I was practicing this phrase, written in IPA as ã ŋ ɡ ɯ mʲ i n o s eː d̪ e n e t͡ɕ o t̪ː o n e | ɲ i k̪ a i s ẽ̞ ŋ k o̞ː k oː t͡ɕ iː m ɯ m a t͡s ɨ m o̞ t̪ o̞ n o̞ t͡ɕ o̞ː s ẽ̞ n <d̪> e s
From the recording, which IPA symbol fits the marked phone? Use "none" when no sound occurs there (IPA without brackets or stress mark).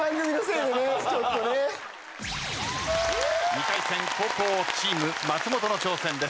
d̪